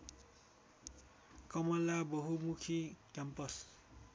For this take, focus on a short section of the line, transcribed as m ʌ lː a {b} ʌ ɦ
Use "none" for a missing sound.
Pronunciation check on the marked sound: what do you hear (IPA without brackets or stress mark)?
b